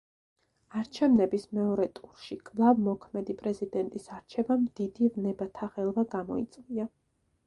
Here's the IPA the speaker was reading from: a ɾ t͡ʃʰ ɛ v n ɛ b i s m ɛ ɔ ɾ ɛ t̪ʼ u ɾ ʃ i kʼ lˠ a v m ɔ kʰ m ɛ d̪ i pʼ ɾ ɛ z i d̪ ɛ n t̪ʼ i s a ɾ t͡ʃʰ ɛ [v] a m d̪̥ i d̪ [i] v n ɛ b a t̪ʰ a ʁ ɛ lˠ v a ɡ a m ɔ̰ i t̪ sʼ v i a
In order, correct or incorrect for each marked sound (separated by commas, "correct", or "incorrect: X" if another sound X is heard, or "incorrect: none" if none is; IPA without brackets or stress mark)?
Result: correct, correct